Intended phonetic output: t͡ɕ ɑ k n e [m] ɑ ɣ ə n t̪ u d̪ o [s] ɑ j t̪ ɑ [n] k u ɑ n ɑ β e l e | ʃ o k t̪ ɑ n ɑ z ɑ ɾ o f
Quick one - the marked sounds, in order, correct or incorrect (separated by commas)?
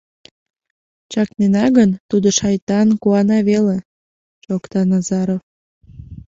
incorrect, incorrect, correct